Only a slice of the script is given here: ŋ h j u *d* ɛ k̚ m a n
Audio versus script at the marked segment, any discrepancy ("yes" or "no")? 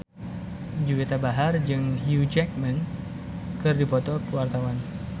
yes